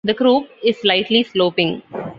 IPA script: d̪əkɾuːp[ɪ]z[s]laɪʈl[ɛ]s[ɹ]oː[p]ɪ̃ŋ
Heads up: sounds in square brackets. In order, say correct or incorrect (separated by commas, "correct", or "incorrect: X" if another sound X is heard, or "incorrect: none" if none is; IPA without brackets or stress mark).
correct, correct, incorrect: i, incorrect: l, correct